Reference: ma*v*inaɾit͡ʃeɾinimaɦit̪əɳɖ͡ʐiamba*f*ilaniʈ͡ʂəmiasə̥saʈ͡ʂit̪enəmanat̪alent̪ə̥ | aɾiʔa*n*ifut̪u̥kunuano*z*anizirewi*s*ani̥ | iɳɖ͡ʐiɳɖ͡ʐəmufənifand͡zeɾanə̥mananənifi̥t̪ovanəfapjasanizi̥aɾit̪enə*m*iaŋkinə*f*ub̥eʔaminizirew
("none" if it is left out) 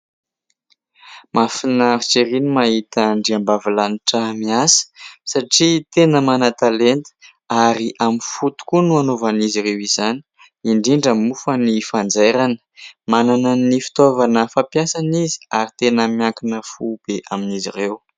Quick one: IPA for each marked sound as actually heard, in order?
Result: f, v, m, v, z, m, f

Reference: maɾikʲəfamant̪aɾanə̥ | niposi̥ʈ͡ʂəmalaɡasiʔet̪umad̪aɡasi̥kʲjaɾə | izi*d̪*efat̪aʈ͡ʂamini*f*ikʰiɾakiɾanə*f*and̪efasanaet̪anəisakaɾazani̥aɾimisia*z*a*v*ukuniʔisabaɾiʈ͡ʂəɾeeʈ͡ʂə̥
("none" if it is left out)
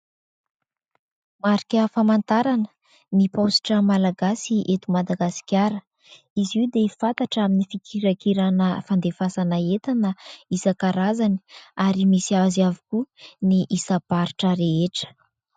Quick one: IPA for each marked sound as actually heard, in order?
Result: d̪, f, f, z, v

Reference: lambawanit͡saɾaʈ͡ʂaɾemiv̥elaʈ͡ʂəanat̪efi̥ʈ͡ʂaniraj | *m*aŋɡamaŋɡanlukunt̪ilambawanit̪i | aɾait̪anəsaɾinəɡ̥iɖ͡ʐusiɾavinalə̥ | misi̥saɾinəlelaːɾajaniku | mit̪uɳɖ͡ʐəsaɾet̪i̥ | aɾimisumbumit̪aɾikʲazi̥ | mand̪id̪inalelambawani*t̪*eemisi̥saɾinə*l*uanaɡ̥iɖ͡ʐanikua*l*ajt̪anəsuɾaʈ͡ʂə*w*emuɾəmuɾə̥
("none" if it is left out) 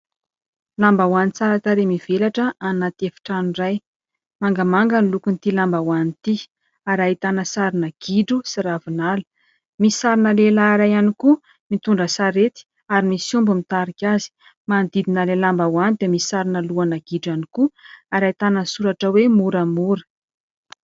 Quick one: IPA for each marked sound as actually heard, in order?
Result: m, d̪, l, ɾ, w

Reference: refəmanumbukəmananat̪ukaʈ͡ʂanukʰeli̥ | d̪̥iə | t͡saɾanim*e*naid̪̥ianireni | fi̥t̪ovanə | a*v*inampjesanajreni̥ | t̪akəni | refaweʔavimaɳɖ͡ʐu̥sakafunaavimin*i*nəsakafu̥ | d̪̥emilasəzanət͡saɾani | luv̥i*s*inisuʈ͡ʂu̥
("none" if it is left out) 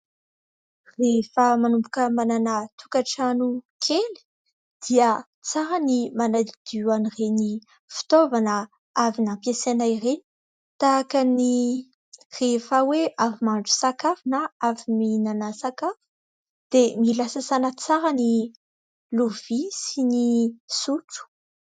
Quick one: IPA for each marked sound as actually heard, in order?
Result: a, v, a, s

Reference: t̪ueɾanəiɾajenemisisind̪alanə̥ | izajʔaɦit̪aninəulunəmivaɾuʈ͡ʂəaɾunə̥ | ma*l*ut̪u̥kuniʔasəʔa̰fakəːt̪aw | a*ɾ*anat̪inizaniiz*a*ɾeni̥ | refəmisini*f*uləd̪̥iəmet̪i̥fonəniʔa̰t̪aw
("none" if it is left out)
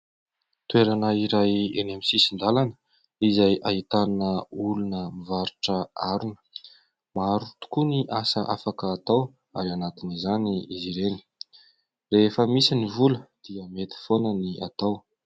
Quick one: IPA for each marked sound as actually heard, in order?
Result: ɾ, ɾ, i, v

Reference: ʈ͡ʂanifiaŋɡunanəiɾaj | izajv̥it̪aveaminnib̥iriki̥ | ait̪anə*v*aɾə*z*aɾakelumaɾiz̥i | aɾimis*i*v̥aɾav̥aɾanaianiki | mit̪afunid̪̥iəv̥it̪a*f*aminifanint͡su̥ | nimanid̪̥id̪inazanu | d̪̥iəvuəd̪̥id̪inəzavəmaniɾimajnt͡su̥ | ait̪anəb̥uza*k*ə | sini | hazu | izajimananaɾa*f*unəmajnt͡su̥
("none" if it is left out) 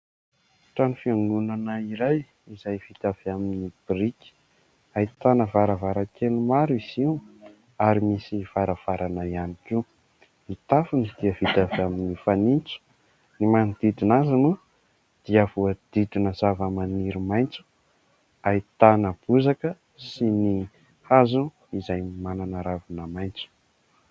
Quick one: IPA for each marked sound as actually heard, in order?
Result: v, v, i, v, k, v

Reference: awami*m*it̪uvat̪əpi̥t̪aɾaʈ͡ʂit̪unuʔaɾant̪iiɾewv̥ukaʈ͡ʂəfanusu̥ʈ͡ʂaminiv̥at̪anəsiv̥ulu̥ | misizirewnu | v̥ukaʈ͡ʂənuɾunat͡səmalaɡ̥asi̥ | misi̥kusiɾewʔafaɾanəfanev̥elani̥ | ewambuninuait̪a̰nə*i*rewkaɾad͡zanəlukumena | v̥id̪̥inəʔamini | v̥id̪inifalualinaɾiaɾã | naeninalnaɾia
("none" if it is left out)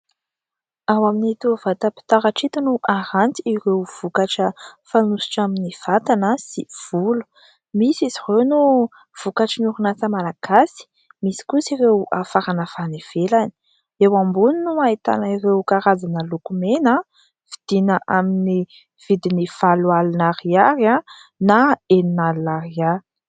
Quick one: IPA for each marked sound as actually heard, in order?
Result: n, i

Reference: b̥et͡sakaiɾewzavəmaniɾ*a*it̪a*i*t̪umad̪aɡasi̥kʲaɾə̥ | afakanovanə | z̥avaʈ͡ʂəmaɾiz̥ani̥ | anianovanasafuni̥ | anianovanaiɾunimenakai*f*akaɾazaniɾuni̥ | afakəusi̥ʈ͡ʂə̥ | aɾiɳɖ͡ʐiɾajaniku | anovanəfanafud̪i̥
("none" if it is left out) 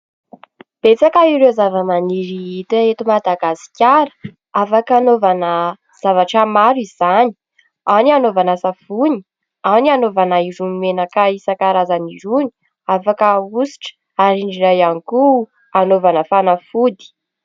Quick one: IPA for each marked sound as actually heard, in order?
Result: i, e, s

